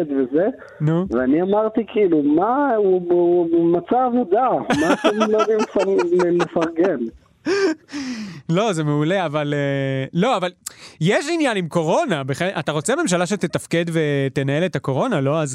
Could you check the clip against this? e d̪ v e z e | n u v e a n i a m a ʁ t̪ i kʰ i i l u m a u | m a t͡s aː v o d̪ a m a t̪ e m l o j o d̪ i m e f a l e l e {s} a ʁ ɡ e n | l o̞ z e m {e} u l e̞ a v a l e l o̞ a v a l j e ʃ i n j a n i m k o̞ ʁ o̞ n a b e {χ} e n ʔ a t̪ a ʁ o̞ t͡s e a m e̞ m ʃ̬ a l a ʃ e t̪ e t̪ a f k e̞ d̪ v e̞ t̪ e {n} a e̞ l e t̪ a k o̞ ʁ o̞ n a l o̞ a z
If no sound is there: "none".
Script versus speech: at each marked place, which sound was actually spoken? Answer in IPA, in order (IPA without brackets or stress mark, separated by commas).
f, e, χ, n